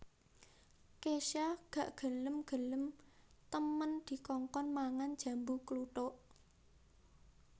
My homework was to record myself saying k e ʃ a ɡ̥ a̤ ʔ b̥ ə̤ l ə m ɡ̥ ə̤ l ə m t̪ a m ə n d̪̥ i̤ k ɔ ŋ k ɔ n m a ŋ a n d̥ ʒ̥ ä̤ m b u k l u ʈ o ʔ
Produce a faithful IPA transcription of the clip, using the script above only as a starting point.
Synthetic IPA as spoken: k e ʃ a ɡ̥ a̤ ʔ ɡ̥ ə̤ l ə m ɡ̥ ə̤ l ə m t̪ ə m ə n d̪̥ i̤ k ɔ ŋ k ɔ n m a ŋ a n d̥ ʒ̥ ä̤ m b u k l u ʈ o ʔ